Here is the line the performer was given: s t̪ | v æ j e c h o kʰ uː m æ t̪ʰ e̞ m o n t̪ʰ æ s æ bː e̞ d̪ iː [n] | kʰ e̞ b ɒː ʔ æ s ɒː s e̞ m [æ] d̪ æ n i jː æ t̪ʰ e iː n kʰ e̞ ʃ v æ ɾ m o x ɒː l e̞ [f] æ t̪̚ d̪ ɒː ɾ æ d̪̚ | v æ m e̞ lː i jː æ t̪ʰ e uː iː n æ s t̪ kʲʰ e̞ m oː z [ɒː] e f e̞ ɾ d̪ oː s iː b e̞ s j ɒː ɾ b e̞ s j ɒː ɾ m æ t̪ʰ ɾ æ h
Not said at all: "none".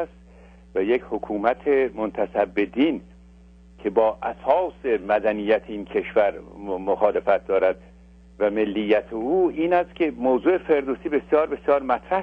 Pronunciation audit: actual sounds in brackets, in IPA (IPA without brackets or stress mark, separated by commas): n, æ, f, uː